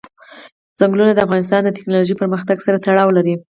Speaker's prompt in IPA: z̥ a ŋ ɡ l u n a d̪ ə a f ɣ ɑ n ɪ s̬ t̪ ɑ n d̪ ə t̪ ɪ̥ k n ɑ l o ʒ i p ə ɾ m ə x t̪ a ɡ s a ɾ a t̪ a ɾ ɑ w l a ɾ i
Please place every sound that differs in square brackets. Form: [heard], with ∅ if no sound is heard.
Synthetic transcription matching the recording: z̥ a ŋ ɡ l u n a d̪ ə a f ɣ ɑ n ɪ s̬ t̪ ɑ n d̪ ə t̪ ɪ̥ k n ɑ l o ʒ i p ə ɾ m ə x t̪ a ɡ s a ɾ a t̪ a [ɽ] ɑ w l a ɾ i